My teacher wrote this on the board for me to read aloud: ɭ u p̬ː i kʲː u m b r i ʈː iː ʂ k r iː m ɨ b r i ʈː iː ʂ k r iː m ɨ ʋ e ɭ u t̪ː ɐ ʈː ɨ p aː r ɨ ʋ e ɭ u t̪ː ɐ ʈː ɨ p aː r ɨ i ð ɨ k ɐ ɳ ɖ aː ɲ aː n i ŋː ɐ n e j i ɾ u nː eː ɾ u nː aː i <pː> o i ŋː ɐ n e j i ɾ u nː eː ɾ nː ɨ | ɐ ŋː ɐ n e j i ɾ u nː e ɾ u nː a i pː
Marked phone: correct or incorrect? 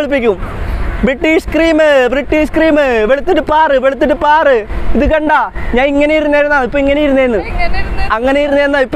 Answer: correct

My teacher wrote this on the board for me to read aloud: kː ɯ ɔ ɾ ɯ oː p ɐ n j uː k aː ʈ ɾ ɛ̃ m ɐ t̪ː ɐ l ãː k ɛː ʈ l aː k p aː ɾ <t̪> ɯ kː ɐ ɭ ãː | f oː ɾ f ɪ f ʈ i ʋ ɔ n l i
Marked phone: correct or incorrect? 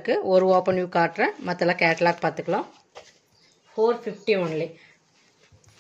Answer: correct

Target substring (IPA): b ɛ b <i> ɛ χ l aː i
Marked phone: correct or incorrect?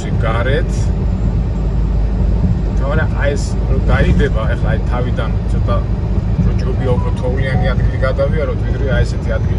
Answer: incorrect: a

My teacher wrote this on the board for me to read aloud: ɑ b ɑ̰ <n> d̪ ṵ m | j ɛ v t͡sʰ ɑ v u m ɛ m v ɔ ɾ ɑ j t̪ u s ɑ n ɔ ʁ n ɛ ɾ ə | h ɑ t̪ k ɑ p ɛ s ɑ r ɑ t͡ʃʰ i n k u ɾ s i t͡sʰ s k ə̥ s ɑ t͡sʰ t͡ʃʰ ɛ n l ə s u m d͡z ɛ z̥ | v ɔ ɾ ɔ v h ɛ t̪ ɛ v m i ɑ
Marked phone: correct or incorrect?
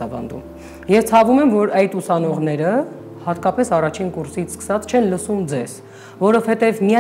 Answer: correct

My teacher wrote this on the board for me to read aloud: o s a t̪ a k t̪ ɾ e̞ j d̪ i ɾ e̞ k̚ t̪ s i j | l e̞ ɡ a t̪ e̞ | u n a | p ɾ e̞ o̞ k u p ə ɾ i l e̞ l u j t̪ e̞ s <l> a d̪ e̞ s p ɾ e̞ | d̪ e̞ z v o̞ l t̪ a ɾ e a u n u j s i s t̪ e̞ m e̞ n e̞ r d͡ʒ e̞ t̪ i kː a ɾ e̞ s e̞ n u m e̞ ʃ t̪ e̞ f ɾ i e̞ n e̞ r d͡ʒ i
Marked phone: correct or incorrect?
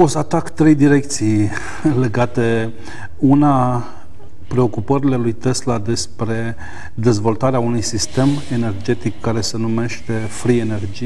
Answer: correct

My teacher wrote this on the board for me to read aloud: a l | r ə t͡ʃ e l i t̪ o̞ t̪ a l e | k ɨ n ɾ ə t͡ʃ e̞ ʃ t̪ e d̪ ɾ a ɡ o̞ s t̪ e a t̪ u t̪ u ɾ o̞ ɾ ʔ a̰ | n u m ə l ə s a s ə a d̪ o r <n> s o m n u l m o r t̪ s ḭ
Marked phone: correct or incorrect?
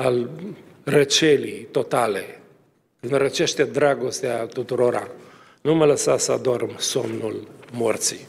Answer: incorrect: m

